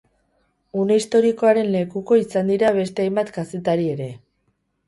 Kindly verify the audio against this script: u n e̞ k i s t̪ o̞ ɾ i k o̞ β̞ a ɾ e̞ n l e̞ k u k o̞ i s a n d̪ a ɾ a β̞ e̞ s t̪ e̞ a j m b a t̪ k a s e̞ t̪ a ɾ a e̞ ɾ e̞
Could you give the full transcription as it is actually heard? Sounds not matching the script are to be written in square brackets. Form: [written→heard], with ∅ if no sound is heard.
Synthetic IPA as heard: u n e̞ [k→∅] i s t̪ o̞ ɾ i k o̞ [β̞→∅] a ɾ e̞ n l e̞ k u k o̞ i s a n d̪ [a→i] ɾ a β̞ e̞ s t̪ e̞ a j m b a t̪ k a s e̞ t̪ a ɾ [a→i] e̞ ɾ e̞

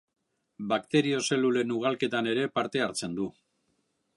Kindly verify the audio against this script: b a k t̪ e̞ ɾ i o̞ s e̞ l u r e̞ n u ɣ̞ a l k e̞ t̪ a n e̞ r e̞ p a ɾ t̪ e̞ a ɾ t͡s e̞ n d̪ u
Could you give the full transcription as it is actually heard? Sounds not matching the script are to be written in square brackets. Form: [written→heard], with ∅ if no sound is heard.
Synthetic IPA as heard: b a k t̪ e̞ ɾ i o̞ s e̞ l u [r→l] e̞ n u ɣ̞ a l k e̞ t̪ a n e̞ [r→ɾ] e̞ p a ɾ t̪ e̞ a ɾ t͡s e̞ n d̪ u

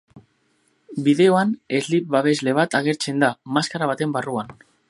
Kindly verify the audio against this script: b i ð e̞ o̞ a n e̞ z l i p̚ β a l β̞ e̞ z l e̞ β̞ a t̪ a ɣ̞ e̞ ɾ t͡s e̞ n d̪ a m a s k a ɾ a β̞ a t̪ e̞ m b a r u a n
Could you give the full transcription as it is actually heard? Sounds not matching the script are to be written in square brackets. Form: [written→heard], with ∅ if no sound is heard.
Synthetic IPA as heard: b i ð e̞ o̞ a n e̞ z l i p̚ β a [l→∅] β̞ e̞ z l e̞ β̞ a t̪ a ɣ̞ e̞ ɾ t͡s e̞ n d̪ a m a s k a ɾ a β̞ a t̪ e̞ m b a r u a n

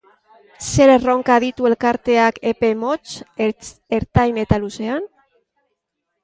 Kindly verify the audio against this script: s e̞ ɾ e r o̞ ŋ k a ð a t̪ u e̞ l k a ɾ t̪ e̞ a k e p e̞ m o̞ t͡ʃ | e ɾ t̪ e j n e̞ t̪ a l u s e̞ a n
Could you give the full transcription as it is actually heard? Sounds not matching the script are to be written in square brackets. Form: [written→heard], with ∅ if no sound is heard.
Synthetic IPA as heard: s e̞ ɾ e r o̞ ŋ k a ð [a→i] t̪ u e̞ l k a ɾ t̪ e̞ a k e p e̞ m o̞ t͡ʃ | e ɾ t̪ [e→a] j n e̞ t̪ a l u s e̞ a n

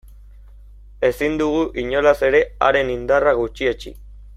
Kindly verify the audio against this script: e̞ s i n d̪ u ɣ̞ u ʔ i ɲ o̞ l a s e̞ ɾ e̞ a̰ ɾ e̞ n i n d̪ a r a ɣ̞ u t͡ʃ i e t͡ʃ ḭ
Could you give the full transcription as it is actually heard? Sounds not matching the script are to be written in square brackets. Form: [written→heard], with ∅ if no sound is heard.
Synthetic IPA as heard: e̞ s i n d̪ u ɣ̞ u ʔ i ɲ o̞ l a s e̞ ɾ e̞ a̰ ɾ e̞ n i n d̪ a r a ɣ̞ u t͡ʃ i e t͡ʃ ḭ

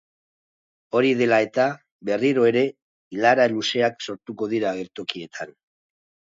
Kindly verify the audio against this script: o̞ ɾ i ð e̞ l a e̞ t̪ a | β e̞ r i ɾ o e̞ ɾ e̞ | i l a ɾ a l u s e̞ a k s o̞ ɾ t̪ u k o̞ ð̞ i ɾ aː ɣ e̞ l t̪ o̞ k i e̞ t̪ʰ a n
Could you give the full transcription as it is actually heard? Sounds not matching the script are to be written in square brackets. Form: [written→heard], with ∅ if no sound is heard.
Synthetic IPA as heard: o̞ ɾ i ð e̞ l a e̞ t̪ a | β e̞ r i ɾ o e̞ ɾ e̞ | i l a ɾ a l u s e̞ a k s o̞ ɾ t̪ u k o̞ ð̞ i ɾ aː ɣ e̞ [l→ɾ] t̪ o̞ k i e̞ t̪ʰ a n

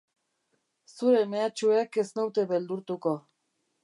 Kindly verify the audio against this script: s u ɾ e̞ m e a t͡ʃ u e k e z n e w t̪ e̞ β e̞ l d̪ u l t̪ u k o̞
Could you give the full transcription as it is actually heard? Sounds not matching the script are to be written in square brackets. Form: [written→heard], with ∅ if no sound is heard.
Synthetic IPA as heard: s u ɾ e̞ m e a t͡ʃ u e k e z n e w t̪ e̞ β e̞ l d̪ u [l→ɾ] t̪ u k o̞

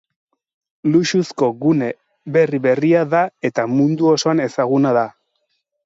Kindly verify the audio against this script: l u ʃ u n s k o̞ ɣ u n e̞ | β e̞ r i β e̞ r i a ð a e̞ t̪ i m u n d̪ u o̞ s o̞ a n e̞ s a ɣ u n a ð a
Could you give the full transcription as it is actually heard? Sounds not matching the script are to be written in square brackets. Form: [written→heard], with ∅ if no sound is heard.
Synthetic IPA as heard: l u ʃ u [n→∅] s k o̞ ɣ u n e̞ | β e̞ r i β e̞ r i a ð a e̞ t̪ [i→a] m u n d̪ u o̞ s o̞ a n e̞ s a ɣ u n a ð a

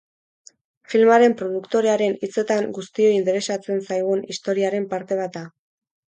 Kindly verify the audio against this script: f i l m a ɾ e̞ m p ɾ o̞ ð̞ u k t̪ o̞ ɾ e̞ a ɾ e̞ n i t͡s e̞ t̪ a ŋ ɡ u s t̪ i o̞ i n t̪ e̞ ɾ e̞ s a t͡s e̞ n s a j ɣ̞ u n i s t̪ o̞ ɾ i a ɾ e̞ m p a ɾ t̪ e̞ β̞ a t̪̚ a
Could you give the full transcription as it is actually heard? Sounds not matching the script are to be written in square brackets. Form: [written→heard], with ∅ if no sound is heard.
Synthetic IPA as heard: f i l m a ɾ e̞ m p ɾ o̞ ð̞ u k t̪ o̞ ɾ e̞ a ɾ e̞ n i t͡s e̞ t̪ a ŋ ɡ u s t̪ i o̞ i n t̪ e̞ ɾ e̞ s a t͡s e̞ n s a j ɣ̞ u n i s t̪ o̞ ɾ i a ɾ e̞ m p a ɾ t̪ e̞ β̞ a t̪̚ a

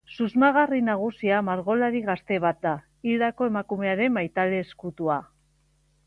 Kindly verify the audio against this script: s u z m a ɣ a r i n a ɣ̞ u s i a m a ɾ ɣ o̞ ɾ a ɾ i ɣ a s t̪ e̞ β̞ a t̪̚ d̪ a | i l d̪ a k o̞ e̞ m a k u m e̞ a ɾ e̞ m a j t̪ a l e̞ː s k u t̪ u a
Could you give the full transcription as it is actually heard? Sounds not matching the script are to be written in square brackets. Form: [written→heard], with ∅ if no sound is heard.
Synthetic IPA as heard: s u z m a ɣ a r i n a ɣ̞ u s i a m a ɾ ɣ o̞ [ɾ→l] a ɾ i ɣ a s t̪ e̞ β̞ a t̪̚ d̪ a | i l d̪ a k o̞ e̞ m a k u m e̞ a ɾ e̞ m a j t̪ a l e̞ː s k u t̪ u a

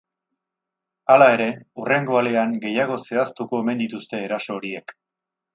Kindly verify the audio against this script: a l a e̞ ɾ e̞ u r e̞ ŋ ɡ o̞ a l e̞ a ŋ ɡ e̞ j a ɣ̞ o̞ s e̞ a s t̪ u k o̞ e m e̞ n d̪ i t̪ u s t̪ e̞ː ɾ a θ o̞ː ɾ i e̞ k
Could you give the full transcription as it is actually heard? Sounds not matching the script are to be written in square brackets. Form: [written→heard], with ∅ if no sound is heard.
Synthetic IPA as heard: a l a e̞ ɾ e̞ u r e̞ ŋ ɡ o̞ a l e̞ a ŋ ɡ e̞ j a ɣ̞ o̞ s e̞ a s t̪ u k o̞ e m e̞ n d̪ i t̪ u s t̪ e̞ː ɾ a [θ→s] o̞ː ɾ i e̞ k

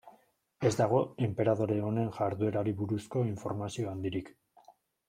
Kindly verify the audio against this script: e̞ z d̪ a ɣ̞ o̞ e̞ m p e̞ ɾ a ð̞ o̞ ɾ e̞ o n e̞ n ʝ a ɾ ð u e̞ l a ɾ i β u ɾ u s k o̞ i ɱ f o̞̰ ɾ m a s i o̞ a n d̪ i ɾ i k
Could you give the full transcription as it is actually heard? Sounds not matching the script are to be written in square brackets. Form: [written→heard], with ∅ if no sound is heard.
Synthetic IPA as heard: e̞ z d̪ a ɣ̞ o̞ e̞ m p e̞ ɾ a ð̞ o̞ ɾ e̞ o n e̞ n ʝ a ɾ ð u e̞ [l→ɾ] a ɾ i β u ɾ u s k o̞ i ɱ f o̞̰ ɾ m a s i o̞ a n d̪ i ɾ i k

